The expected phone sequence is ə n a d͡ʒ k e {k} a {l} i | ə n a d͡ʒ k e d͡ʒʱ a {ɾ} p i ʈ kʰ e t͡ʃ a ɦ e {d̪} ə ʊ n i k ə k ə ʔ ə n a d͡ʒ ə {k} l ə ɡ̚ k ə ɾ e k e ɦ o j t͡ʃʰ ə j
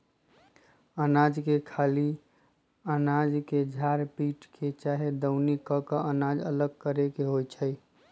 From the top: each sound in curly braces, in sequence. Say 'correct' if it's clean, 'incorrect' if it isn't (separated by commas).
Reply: incorrect, correct, correct, correct, incorrect